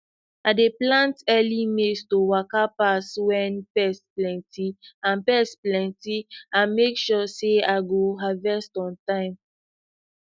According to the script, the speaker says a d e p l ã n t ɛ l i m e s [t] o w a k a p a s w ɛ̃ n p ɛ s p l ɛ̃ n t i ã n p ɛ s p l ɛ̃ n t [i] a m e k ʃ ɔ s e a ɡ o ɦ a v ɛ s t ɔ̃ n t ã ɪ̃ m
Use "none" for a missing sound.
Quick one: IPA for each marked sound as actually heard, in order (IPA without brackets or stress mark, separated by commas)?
t, i